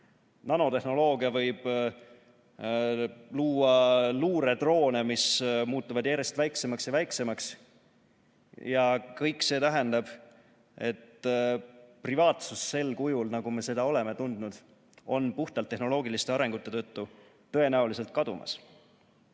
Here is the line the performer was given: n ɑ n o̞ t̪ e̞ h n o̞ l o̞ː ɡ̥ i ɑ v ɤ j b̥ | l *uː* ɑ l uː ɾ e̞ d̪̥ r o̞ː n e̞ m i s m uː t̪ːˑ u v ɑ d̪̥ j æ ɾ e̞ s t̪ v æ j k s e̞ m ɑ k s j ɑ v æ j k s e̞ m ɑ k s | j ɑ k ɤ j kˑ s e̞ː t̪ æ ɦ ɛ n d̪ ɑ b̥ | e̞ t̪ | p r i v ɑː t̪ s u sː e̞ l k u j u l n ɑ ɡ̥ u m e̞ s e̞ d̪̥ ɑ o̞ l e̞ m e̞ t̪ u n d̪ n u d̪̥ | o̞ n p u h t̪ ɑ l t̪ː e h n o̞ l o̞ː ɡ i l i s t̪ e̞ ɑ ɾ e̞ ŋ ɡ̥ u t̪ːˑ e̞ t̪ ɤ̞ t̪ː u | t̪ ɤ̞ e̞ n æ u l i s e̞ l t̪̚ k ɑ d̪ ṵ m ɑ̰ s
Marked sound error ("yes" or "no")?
no